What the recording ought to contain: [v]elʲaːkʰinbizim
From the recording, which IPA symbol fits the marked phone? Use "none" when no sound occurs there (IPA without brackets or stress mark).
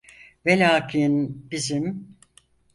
v